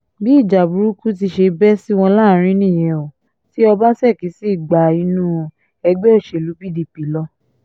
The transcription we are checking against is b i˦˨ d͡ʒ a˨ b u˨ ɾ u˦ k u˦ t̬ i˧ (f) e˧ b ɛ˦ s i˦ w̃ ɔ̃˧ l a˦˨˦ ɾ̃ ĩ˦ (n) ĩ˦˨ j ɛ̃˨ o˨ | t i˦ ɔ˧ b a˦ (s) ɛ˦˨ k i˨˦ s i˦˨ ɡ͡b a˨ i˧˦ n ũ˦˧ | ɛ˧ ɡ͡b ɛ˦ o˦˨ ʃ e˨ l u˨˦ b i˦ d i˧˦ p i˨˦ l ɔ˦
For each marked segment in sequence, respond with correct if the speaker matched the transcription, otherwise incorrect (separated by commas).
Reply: incorrect, correct, correct